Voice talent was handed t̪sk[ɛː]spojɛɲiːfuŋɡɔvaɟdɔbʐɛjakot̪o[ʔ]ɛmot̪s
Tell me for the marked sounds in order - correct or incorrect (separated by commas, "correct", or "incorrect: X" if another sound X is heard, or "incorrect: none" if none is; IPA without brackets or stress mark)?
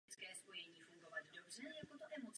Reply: correct, correct